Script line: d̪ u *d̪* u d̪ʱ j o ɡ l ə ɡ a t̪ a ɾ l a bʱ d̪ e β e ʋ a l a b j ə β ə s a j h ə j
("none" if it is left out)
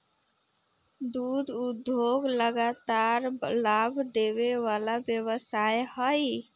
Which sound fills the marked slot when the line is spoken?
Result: d̪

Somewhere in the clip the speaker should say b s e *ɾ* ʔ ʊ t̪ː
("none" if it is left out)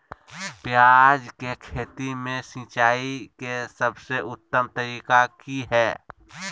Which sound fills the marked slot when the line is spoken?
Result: none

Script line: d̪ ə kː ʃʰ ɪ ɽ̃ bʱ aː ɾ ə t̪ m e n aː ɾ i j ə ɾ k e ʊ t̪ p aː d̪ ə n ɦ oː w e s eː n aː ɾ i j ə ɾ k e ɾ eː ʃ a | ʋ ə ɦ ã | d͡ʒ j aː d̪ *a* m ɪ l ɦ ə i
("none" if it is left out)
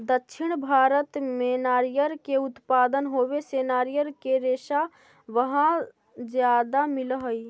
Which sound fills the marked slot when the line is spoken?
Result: a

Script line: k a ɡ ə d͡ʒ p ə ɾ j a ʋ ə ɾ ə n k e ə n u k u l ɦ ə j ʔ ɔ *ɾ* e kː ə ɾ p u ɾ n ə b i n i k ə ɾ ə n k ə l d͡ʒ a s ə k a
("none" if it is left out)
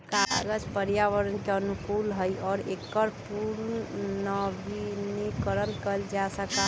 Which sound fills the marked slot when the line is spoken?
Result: ɾ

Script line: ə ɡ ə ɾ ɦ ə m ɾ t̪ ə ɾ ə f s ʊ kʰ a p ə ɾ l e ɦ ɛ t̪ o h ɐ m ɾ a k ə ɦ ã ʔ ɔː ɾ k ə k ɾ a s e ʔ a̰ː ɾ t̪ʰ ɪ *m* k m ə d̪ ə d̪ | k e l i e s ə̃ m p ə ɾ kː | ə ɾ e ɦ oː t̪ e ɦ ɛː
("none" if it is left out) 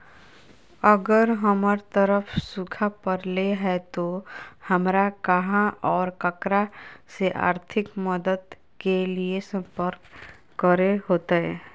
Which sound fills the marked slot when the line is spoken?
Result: none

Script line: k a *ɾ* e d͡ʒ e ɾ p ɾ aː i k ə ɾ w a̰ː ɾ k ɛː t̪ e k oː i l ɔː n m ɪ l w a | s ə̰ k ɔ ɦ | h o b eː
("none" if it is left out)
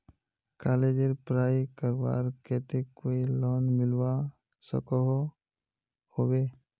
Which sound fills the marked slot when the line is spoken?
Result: l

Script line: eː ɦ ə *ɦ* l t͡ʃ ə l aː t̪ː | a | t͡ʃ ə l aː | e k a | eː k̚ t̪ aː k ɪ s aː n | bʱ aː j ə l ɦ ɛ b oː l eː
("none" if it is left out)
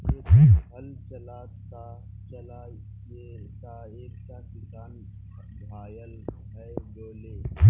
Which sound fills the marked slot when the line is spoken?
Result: none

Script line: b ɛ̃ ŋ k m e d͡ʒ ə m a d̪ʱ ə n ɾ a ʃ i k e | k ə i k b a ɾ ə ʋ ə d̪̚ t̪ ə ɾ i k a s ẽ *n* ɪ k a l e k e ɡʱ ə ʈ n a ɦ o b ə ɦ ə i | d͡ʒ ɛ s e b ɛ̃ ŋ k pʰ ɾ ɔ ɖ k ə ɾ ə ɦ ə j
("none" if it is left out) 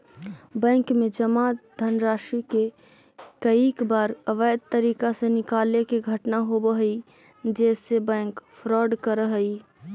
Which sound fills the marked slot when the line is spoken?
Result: n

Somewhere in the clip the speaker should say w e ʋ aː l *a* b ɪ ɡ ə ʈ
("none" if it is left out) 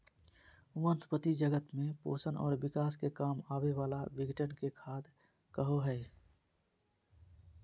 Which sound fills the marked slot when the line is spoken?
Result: a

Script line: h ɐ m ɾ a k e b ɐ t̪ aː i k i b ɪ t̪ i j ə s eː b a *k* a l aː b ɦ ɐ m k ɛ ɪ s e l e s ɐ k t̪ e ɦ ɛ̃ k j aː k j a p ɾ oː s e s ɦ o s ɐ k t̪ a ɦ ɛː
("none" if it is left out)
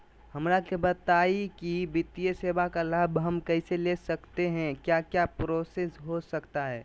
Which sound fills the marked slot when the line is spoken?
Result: k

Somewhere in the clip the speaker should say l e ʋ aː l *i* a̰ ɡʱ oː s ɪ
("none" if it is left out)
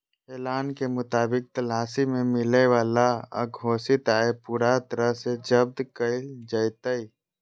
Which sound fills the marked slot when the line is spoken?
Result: a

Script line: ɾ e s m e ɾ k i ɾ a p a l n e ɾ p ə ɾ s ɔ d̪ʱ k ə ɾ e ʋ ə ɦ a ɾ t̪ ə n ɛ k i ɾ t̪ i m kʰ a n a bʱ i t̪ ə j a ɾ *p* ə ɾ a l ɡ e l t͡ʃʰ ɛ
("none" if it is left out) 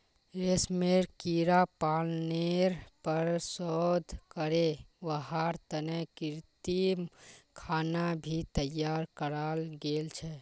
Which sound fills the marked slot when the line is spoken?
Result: k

